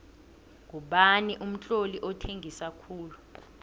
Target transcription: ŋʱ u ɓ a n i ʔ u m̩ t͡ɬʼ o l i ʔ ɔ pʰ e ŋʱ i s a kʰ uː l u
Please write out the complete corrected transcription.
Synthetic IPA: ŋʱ u ɓ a n i ʔ u m̩ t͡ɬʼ o l i ʔ ɔ tʰ e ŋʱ i s a kʰ uː l u